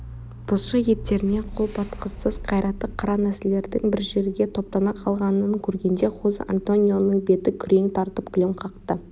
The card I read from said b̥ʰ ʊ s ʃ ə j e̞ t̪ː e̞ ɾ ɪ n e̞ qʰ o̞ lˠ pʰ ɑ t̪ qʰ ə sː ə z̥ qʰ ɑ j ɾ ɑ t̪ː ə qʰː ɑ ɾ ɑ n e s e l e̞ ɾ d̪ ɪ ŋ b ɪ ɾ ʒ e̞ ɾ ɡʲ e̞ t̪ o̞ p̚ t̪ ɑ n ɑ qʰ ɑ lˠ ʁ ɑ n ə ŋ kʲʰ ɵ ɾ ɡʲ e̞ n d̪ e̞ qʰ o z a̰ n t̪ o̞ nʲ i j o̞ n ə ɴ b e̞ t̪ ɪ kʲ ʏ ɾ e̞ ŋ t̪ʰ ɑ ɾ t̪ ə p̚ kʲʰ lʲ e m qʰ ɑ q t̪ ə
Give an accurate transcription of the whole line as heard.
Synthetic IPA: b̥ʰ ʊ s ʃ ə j e̞ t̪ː e̞ ɾ ɪ n e̞ qʰ o̞ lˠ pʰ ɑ t̪ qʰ ə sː ə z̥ qʰ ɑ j ɾ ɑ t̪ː ə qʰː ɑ ɾ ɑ n æ s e l e̞ ɾ d̪ ɪ ŋ b ɪ ɾ ʒ e̞ ɾ ɡʲ e̞ t̪ʰ o̞ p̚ t̪ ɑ n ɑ qʰ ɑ lˠ ʁ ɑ n ə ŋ kʲʰ ɵ ɾ ɡʲ e̞ n d̪ e̞ qʰ o z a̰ n t̪ o̞ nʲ i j o̞ n ə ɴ b e̞ t̪ ɪ kʲʰ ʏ ɾ e̞ ŋ t̪ʰ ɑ ɾ t̪ ə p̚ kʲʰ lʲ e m qʰ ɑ q t̪ ə